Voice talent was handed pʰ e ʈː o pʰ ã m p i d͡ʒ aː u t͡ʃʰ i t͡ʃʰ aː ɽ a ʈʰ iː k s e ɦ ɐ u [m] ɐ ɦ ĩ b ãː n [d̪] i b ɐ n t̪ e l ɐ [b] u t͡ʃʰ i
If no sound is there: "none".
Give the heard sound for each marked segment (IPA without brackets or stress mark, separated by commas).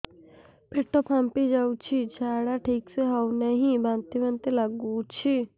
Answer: n, t̪, ɡ